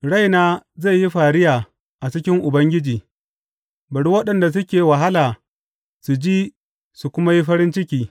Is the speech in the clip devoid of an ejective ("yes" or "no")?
yes